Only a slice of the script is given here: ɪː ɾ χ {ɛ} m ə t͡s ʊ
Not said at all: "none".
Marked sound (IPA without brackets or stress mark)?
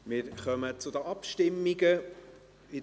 œ